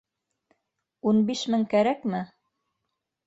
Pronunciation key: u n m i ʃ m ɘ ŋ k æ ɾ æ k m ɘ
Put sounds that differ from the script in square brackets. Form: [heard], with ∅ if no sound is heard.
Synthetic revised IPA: u n [b] i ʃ m ɘ ŋ k æ ɾ æ k m ɘ